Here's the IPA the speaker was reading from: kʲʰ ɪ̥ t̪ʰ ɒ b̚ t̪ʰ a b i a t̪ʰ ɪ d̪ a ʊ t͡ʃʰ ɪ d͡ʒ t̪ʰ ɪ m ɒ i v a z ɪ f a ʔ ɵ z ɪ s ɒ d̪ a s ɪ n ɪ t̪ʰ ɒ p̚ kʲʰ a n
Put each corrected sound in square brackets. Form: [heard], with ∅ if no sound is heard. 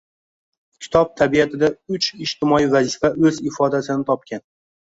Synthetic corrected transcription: kʲʰ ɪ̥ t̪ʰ ɒ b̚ t̪ʰ a b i a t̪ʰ ɪ d̪ a ʊ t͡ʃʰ ɪ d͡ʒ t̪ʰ ɪ m ɒ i v a z ɪ f a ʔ ɵ z ɪ [f] ɒ d̪ a s ɪ n ɪ t̪ʰ ɒ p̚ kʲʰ a n